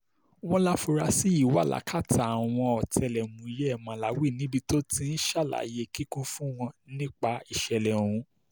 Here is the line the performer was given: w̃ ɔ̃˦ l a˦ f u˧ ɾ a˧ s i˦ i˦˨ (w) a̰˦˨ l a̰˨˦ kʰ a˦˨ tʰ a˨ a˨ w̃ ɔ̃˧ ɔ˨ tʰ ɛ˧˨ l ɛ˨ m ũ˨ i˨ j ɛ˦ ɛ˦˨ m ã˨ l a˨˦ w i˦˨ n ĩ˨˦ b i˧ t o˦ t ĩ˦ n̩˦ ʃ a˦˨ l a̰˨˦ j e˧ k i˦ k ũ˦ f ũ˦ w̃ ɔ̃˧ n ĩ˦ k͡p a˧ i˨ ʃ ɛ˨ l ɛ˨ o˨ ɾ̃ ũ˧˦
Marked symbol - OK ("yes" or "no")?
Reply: yes